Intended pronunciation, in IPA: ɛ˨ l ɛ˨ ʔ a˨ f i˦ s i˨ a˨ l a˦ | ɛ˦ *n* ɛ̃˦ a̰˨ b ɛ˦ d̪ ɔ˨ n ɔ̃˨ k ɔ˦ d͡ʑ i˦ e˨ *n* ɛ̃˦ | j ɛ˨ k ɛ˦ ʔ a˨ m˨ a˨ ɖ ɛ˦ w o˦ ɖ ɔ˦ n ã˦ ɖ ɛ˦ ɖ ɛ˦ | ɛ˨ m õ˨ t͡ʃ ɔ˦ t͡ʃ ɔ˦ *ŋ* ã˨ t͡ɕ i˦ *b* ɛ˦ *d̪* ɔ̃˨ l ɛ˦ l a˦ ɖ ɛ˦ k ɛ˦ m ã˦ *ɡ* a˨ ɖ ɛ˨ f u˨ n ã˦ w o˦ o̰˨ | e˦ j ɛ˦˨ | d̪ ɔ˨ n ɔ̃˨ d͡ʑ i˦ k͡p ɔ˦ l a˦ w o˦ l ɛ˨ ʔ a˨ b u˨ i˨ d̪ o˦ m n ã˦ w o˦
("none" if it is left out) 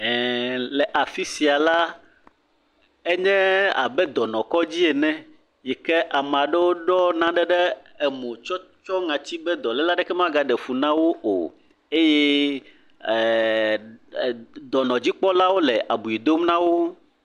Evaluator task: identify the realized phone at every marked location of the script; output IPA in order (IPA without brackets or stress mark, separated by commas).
ɲ, n, ŋ, b, d̪, ɡ